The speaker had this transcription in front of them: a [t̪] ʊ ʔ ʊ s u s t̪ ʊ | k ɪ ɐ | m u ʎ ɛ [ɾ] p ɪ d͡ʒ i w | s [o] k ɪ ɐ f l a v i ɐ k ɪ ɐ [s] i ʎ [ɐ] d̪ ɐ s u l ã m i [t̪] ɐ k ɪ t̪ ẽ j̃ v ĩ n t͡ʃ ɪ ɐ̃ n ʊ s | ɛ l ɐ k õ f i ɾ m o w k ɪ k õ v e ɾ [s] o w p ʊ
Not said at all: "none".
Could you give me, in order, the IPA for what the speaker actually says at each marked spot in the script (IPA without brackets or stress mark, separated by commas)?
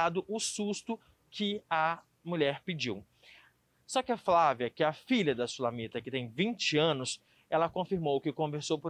d̪, ɾ, ɔ, f, ɐ, t̪, s